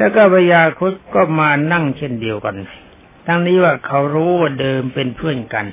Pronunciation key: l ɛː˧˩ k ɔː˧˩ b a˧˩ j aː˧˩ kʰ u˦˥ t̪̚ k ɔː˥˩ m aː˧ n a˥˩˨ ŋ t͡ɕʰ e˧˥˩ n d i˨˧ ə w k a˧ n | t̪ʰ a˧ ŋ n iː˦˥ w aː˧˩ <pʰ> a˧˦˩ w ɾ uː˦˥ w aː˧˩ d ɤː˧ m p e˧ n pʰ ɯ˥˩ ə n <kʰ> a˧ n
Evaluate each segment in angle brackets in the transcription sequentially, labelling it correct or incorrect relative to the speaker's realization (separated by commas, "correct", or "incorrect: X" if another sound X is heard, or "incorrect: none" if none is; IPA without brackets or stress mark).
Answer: incorrect: kʰ, incorrect: k